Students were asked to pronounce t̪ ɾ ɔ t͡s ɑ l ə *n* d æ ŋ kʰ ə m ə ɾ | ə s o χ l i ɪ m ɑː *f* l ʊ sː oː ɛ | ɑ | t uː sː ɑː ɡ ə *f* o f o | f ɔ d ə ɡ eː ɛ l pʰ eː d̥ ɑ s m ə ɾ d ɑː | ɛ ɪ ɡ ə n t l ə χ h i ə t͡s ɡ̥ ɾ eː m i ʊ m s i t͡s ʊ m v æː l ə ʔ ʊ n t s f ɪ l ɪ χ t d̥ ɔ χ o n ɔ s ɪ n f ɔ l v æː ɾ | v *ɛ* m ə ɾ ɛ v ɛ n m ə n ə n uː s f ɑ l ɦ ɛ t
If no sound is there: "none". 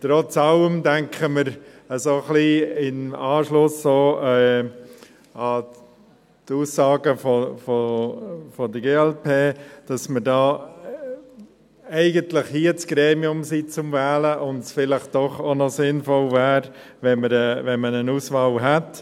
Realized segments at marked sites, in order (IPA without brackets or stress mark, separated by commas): m, ʃ, f, ɛ